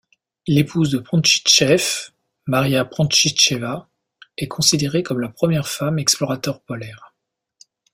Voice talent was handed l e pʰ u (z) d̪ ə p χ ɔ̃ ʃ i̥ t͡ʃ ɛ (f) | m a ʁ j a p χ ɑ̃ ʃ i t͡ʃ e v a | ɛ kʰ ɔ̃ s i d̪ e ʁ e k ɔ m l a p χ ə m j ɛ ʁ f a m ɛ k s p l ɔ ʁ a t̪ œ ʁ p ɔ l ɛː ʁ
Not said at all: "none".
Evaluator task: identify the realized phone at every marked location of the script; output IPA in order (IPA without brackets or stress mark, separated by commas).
z, f